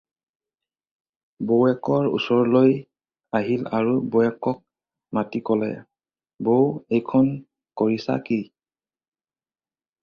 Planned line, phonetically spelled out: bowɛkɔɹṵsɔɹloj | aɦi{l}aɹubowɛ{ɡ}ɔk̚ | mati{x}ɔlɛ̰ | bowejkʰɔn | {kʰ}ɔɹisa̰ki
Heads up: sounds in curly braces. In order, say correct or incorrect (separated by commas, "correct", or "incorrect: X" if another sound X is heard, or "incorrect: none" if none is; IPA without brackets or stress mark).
correct, incorrect: k, incorrect: k, incorrect: k